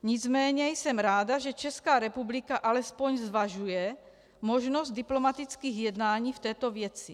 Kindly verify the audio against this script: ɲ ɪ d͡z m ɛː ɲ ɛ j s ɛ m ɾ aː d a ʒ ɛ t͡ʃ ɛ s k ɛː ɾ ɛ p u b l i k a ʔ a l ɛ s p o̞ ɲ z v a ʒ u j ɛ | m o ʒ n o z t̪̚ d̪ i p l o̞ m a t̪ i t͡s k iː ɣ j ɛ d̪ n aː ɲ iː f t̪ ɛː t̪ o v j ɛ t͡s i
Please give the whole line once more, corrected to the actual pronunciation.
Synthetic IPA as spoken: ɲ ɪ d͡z m ɛː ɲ ɛ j s ɛ m ɾ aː d a ʒ ɛ t͡ʃ ɛ s k aː ɾ ɛ p u b l i k a ʔ a l ɛ s p o̞ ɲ z v a ʒ u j ɛ | m o ʒ n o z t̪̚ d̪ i p l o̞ m a t̪ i t͡s k iː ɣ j ɛ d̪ n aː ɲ iː f t̪ ɛː t̪ o v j ɛ t͡s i